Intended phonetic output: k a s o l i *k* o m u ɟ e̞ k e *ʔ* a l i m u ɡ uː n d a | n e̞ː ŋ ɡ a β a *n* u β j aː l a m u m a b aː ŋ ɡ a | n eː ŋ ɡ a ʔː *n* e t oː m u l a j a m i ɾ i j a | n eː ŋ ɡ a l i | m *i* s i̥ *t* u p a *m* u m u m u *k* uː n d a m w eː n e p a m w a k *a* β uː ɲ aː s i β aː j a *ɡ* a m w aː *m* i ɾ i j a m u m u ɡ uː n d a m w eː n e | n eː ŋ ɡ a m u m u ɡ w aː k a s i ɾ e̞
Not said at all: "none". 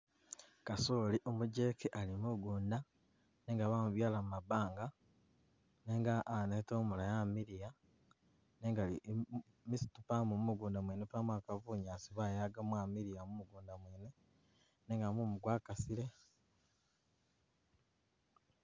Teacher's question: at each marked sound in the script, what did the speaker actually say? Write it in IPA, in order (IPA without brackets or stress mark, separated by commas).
ʔ, ʔ, m, n, i, t, m, ɡ, a, ɡ, m